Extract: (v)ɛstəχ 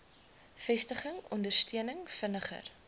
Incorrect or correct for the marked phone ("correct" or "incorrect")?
incorrect